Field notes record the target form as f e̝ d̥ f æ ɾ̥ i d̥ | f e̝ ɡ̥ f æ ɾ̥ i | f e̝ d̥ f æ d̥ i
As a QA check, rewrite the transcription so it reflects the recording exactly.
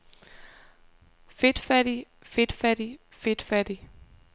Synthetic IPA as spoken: f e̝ d̥ f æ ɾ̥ i | f e̝ d̥ f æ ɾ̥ i | f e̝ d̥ f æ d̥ i